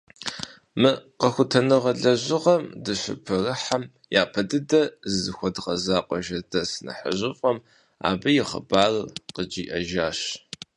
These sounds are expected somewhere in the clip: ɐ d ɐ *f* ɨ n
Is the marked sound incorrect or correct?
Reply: incorrect